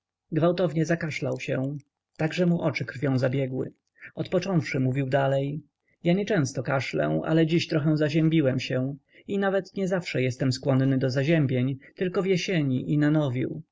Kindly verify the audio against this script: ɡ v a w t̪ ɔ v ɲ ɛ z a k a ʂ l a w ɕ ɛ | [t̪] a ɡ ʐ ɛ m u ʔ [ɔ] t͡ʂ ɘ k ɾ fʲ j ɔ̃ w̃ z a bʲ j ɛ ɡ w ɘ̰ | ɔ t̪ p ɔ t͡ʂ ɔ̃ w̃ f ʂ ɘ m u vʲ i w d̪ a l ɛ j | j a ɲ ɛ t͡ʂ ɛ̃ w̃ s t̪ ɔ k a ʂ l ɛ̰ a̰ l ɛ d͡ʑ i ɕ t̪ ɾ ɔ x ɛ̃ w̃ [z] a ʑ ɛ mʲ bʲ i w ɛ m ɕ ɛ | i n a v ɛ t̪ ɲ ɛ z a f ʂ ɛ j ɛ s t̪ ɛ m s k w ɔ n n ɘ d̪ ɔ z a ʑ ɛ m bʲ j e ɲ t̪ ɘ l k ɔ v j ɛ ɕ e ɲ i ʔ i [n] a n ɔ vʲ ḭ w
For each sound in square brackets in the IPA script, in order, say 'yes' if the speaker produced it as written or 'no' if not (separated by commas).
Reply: yes, yes, yes, yes